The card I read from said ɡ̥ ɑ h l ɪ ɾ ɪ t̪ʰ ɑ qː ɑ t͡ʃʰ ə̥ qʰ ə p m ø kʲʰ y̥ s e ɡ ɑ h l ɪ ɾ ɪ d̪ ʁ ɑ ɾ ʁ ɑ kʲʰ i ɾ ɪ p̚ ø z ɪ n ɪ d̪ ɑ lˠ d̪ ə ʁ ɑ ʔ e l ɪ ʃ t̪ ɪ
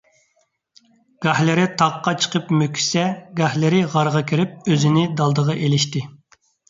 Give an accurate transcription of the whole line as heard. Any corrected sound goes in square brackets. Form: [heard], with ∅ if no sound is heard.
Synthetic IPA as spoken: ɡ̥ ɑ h l ɪ ɾ ɪ t̪ʰ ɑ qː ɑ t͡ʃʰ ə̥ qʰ ə p m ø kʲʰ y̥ s [ɛ] ɡ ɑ h l ɪ ɾ ɪ [∅] ʁ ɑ ɾ ʁ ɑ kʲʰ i ɾ ɪ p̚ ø z ɪ n ɪ d̪ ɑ lˠ d̪ ə ʁ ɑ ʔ e l ɪ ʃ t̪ ɪ